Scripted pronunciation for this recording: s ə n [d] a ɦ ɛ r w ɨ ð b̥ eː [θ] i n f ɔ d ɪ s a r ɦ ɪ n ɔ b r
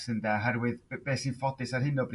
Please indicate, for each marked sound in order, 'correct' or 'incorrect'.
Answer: correct, incorrect: s

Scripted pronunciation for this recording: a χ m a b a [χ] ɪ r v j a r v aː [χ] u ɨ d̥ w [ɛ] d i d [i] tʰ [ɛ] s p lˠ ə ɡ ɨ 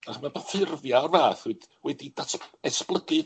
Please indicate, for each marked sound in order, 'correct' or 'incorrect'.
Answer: incorrect: f, incorrect: θ, correct, incorrect: a, correct

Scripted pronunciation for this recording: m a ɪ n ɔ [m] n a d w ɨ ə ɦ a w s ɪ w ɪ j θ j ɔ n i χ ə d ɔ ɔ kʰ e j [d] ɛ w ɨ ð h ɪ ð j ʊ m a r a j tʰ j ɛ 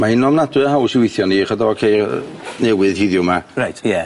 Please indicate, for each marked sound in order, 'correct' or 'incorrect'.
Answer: correct, incorrect: n

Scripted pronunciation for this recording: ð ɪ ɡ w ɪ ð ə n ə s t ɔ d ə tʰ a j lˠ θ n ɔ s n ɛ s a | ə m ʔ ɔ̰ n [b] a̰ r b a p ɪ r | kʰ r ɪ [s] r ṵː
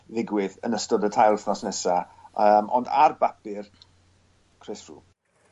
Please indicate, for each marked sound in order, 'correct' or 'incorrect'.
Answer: incorrect: d, correct

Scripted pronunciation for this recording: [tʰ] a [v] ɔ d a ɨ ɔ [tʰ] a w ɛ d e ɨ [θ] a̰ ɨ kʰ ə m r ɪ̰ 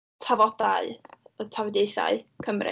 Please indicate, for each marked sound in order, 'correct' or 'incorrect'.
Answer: correct, correct, correct, correct

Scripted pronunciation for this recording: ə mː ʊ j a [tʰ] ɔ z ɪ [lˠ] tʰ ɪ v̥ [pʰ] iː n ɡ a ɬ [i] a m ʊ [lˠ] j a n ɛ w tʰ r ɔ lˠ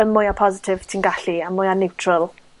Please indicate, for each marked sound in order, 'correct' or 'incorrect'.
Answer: incorrect: pʰ, incorrect: none, incorrect: tʰ, correct, incorrect: none

